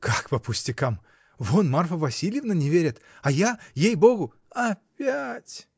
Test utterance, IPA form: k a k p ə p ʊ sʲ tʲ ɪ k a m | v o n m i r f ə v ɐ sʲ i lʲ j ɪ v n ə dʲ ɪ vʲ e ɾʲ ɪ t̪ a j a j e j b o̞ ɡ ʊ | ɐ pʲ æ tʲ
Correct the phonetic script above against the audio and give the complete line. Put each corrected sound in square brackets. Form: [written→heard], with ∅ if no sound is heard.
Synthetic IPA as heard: k a k p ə p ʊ sʲ tʲ ɪ k a m | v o n m [i→a] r f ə v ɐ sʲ i lʲ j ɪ v n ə [dʲ→nʲ] ɪ vʲ e ɾʲ ɪ t̪ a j a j e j b o̞ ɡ ʊ | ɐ pʲ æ tʲ

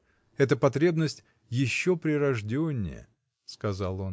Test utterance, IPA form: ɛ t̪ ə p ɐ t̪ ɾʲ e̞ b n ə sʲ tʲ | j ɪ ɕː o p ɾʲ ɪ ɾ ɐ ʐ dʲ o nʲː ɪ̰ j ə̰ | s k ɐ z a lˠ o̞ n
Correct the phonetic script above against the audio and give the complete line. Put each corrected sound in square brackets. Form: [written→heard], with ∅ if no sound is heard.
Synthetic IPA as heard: ɛ t̪ ə p ɐ t̪ ɾʲ e̞ b n ə sʲ tʲ | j ɪ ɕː o p ɾʲ ɪ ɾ ɐ ʐ dʲ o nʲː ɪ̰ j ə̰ | s k ɐ z a lˠ o̞ n

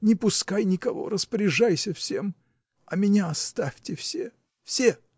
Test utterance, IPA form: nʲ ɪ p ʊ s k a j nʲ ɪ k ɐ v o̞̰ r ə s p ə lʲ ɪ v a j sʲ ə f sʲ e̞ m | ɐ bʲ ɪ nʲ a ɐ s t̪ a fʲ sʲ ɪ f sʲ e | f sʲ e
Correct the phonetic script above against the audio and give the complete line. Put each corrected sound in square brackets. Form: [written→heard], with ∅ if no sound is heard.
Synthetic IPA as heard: nʲ ɪ p ʊ s k a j nʲ ɪ k ɐ v o̞̰ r ə s p ə [lʲ→ɾʲ] ɪ [v→ʐ] a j sʲ ə f sʲ e̞ m | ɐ [bʲ→mʲ] ɪ nʲ a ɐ s t̪ a fʲ [sʲ→tʲ] ɪ f sʲ e | f sʲ e

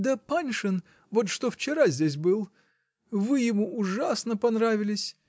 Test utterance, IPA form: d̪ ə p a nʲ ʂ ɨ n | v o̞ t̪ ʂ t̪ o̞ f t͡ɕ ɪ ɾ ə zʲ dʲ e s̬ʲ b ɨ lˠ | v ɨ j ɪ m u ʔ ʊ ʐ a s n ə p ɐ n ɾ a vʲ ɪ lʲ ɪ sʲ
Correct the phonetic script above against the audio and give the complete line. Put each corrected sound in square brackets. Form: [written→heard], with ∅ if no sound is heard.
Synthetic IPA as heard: d̪ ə p a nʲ ʂ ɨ n | v o̞ t̪ ʂ t̪ o̞ f t͡ɕ ɪ ɾ [ə→a] zʲ dʲ e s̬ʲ b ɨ lˠ | v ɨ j ɪ m u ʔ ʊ ʐ a s n ə p ɐ n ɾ a vʲ ɪ lʲ ɪ sʲ

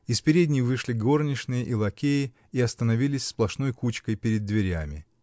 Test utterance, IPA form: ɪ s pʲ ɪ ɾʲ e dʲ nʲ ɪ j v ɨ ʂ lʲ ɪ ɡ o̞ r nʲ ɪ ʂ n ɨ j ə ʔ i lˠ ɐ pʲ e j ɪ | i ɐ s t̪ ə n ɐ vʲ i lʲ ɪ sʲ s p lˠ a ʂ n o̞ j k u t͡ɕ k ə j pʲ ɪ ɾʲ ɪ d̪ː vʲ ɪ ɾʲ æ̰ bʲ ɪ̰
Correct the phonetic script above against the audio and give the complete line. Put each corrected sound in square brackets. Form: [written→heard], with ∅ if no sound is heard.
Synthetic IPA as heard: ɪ s pʲ ɪ ɾʲ e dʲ nʲ ɪ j v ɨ ʂ lʲ ɪ ɡ o̞ r nʲ ɪ ʂ n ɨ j ə ʔ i lˠ ɐ [pʲ→kʲ] e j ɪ | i ɐ s t̪ ə n ɐ vʲ i lʲ ɪ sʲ s p lˠ [a→ɐ] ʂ n o̞ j k u t͡ɕ k ə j pʲ ɪ ɾʲ ɪ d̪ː vʲ ɪ ɾʲ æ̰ [bʲ→mʲ] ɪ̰

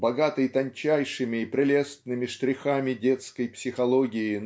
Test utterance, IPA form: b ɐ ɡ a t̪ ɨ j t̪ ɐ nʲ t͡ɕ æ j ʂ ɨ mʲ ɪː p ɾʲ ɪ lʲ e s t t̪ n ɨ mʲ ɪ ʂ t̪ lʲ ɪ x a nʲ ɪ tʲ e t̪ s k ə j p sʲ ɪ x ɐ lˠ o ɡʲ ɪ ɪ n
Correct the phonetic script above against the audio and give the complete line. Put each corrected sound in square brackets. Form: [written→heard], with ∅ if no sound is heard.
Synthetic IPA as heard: b ɐ ɡ a t̪ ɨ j t̪ ɐ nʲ t͡ɕ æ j ʂ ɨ mʲ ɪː p ɾʲ ɪ lʲ e s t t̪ n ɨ mʲ ɪ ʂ t̪ [lʲ→ɾʲ] ɪ x a [nʲ→mʲ] ɪ [tʲ→dʲ] e t̪ s k ə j p sʲ ɪ x ɐ lˠ o ɡʲ ɪ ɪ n

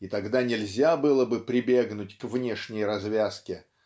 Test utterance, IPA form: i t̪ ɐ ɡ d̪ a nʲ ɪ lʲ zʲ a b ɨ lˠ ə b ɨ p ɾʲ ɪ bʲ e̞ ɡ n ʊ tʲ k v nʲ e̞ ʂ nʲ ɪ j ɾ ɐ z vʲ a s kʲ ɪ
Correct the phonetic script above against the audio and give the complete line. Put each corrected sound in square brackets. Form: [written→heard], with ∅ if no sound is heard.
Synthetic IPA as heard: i t̪ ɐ ɡ d̪ a nʲ ɪ lʲ zʲ a b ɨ lˠ ə b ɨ p ɾʲ ɪ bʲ e̞ ɡ n ʊ tʲ k v nʲ e̞ ʂ nʲ ɪ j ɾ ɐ z vʲ a s kʲ ɪ

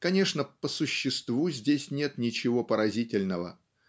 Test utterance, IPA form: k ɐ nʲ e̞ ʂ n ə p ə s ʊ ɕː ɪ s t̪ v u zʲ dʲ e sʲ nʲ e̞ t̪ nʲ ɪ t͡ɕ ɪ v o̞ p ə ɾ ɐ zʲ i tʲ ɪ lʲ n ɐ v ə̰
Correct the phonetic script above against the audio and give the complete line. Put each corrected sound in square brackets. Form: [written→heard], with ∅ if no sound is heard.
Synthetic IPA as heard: k ɐ nʲ e̞ ʂ n ə p ə s ʊ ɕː ɪ s t̪ v u zʲ dʲ e sʲ nʲ e̞ t̪ nʲ ɪ t͡ɕ ɪ v o̞ p ə ɾ ɐ zʲ i tʲ ɪ lʲ n [ɐ→ə] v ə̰

